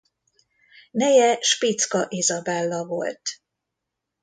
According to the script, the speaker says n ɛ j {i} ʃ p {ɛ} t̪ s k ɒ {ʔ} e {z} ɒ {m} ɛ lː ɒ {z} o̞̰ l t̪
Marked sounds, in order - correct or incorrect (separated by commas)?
incorrect, incorrect, correct, correct, incorrect, incorrect